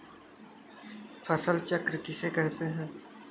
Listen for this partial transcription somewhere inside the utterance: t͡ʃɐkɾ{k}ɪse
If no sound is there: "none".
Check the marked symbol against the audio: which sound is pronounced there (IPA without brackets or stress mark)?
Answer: k